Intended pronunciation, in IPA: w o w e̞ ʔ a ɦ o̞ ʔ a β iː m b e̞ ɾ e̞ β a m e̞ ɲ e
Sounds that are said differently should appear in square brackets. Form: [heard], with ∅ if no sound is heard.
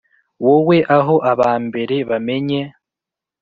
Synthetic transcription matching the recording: w o w e̞ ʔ a ɦ o̞ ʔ a β [aː] m b e̞ ɾ e̞ β a m e̞ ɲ e